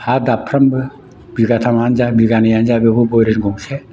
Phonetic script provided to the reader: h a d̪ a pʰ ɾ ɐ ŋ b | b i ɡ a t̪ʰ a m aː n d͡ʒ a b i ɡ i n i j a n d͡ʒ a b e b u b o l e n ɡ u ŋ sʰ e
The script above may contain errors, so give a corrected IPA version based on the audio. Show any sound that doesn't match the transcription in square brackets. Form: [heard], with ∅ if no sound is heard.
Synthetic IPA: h a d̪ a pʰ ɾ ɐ [m] b | b i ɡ a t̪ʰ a m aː n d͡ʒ a b i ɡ [a] n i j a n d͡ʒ a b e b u b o [ɾ] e n ɡ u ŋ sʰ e